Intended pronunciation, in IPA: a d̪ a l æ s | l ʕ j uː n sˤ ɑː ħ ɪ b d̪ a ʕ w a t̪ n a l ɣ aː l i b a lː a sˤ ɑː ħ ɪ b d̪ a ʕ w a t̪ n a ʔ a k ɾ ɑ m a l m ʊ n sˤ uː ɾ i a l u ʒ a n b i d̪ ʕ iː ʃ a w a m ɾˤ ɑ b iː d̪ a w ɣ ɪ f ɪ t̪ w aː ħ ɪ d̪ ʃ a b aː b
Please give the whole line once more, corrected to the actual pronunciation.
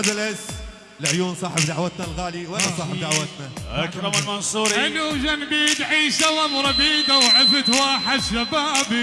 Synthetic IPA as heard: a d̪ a l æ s | l ʕ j uː n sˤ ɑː ħ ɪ b d̪ a ʕ w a t̪ n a l ɣ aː l i w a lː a sˤ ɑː ħ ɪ b d̪ a ʕ w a t̪ n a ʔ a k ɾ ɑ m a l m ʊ n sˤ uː ɾ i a l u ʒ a n b i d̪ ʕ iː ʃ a w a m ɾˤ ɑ b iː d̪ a w ʕ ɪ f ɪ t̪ w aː ħ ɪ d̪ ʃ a b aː b